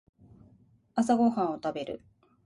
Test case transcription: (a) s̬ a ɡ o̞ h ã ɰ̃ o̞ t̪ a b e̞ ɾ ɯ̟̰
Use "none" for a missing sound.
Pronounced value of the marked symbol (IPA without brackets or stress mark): a